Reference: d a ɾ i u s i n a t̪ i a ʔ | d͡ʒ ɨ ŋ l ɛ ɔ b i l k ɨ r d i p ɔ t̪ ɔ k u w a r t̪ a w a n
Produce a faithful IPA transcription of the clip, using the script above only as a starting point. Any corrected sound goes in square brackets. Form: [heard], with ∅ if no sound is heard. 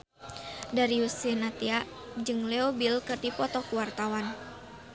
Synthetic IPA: d a ɾ i u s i n a t̪ i a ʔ | d͡ʒ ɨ ŋ l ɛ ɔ b i l k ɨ r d i p ɔ t̪ ɔ k u w a r t̪ a w a n